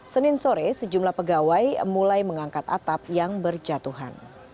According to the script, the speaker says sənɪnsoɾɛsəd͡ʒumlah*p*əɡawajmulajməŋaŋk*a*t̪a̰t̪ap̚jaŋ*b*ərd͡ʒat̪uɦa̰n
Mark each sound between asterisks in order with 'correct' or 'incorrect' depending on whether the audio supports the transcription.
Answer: correct, correct, correct

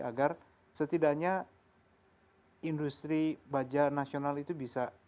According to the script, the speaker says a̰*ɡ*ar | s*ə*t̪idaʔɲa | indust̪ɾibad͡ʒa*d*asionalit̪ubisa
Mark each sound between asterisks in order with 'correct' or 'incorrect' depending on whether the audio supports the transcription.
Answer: correct, correct, incorrect: n

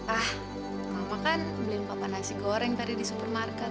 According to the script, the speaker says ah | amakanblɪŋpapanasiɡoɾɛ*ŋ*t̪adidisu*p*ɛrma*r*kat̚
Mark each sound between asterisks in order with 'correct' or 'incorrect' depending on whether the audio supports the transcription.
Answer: correct, correct, correct

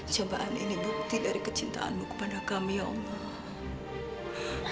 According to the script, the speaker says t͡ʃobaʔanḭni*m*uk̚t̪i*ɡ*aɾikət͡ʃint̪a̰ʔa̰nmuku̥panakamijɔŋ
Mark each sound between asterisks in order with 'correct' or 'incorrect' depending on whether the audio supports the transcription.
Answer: incorrect: b, incorrect: d

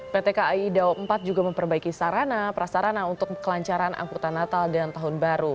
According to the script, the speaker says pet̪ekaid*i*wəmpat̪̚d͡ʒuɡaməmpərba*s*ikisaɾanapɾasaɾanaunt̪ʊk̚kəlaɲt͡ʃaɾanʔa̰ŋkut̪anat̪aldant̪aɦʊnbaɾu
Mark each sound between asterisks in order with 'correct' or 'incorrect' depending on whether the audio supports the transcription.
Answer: incorrect: a, incorrect: none

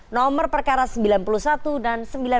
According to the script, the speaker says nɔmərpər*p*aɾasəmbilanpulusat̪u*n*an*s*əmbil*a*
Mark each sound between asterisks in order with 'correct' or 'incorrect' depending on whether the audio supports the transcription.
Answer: incorrect: k, incorrect: d, correct, correct

